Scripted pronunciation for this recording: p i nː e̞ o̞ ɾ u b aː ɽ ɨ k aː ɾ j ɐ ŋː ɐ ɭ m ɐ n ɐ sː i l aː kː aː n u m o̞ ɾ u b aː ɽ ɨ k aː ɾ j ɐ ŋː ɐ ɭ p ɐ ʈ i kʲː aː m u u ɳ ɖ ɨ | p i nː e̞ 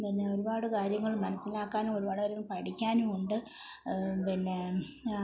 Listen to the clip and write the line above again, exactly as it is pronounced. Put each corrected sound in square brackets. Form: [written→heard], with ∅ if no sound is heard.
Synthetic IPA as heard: p i nː e̞ o̞ ɾ u b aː ɽ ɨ k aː ɾ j ɐ ŋː ɐ ɭ m ɐ n ɐ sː i l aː kː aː n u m o̞ ɾ u b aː ɽ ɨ k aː ɾ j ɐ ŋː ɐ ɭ p ɐ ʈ i kʲː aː [m→n] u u ɳ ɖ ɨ | p i nː e̞